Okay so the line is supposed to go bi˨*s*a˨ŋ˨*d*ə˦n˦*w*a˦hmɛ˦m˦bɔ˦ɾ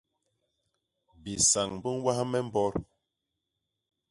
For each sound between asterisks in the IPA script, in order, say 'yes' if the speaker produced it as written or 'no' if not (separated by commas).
yes, no, yes